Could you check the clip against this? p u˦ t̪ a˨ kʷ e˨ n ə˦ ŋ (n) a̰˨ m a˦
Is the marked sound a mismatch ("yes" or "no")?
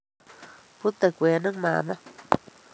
yes